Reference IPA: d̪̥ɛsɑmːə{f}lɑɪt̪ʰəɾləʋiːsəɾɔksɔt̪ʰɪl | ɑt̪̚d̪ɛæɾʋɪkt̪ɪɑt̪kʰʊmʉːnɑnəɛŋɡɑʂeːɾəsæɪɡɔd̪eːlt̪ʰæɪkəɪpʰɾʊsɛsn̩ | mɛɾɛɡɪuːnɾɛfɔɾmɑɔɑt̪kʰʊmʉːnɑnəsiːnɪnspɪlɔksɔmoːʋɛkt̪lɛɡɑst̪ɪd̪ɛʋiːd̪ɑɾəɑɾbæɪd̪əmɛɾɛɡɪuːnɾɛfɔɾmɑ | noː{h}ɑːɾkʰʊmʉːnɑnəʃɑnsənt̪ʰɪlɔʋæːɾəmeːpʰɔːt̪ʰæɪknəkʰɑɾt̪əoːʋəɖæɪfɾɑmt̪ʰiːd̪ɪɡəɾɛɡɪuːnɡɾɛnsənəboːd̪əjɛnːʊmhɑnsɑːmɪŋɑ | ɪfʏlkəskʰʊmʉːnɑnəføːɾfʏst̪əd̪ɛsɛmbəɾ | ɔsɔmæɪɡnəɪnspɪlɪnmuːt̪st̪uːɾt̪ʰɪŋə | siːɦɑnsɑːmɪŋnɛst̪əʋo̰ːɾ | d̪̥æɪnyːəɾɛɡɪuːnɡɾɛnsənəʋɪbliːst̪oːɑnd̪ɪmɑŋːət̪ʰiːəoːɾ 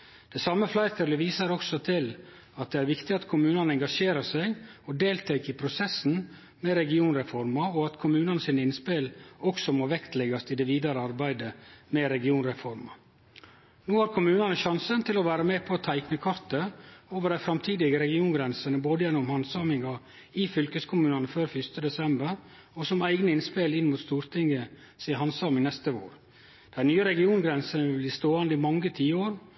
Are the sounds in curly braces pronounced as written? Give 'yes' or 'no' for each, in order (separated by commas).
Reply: yes, yes